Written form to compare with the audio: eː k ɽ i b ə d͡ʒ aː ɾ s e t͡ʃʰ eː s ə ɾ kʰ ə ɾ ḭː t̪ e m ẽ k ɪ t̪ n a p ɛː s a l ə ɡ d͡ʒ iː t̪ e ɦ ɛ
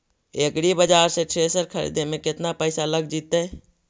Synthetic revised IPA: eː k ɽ i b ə d͡ʒ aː ɾ s e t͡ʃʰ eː s ə ɾ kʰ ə ɾ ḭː d̪ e m ẽ k ɪ t̪ n a p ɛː s a l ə ɡ d͡ʒ iː t̪ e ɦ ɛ